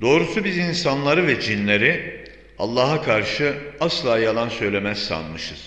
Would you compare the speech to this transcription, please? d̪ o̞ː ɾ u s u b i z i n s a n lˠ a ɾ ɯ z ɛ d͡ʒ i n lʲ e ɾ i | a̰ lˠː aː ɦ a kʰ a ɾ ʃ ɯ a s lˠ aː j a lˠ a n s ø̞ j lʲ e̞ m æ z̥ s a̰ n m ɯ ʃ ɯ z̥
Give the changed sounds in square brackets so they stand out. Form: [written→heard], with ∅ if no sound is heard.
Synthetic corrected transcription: d̪ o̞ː ɾ u s u b i z i n s a n lˠ a ɾ ɯ [z→v] ɛ d͡ʒ i n lʲ e ɾ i | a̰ lˠː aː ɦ a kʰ a ɾ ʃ ɯ a s lˠ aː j a lˠ a n s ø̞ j lʲ e̞ m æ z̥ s a̰ n m ɯ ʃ ɯ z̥